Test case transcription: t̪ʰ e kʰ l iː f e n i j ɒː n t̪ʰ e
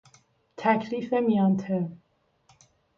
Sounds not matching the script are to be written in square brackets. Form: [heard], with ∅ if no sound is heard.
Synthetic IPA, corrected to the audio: t̪ʰ [æ] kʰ l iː f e [m] i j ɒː n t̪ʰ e